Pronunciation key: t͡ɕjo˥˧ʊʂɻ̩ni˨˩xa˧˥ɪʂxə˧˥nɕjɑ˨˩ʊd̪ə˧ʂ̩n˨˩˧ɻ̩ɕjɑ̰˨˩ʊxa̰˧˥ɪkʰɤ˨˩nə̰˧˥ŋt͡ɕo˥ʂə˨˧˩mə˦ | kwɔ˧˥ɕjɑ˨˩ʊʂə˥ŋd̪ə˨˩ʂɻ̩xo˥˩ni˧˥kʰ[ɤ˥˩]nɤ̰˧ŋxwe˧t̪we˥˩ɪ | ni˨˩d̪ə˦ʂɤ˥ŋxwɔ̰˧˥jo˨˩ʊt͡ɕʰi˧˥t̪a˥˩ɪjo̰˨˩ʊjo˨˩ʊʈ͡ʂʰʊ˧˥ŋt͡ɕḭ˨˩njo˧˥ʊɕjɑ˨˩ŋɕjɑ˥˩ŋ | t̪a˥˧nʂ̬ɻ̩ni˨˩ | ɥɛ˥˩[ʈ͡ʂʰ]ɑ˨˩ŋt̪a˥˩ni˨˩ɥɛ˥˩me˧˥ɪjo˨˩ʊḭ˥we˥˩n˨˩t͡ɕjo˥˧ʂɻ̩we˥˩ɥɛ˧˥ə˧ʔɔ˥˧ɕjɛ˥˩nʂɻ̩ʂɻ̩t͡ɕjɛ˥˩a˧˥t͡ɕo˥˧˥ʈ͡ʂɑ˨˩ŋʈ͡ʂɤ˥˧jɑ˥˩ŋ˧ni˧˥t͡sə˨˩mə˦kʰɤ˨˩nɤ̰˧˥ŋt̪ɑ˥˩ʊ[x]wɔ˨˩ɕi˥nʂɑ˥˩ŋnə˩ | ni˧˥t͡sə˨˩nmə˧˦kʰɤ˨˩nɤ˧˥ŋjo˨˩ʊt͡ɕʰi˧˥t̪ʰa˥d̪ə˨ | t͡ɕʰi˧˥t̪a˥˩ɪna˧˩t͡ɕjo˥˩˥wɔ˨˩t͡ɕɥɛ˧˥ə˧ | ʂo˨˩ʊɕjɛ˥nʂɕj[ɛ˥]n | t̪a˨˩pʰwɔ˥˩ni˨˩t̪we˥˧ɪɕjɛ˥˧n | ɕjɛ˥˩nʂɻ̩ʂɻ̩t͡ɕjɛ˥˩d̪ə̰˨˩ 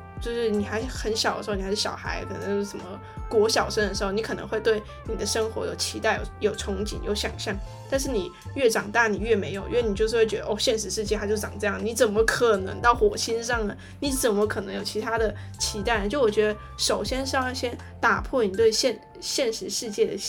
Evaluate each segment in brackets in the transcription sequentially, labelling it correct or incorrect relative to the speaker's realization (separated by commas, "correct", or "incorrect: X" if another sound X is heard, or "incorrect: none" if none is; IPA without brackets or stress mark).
incorrect: ɤ˨˩, incorrect: ʈ͡ʂ, correct, correct